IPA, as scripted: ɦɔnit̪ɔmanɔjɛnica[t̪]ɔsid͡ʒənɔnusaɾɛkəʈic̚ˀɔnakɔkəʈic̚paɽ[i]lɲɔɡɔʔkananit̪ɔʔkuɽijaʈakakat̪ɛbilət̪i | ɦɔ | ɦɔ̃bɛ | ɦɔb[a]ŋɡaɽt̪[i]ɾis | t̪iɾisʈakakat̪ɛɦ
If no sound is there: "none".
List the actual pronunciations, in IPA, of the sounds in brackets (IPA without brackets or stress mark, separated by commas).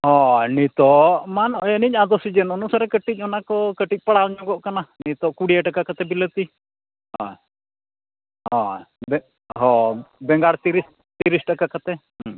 d̪, a, ɛ, i